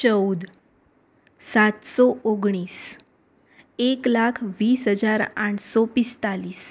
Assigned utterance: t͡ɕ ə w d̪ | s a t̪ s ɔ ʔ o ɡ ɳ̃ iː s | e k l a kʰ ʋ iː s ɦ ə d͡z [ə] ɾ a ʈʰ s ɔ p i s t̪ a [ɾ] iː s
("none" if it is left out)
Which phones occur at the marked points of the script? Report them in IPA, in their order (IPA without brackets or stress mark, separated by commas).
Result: a, l